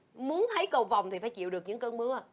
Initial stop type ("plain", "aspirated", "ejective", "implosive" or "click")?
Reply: aspirated